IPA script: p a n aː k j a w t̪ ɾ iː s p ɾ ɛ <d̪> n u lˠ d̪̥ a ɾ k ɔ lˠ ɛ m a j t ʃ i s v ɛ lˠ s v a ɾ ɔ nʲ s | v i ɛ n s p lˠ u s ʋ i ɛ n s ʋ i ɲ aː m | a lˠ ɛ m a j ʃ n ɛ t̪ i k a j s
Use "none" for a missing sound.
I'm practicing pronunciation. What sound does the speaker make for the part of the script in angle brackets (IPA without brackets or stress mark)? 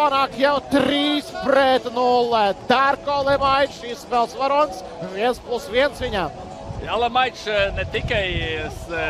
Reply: t̪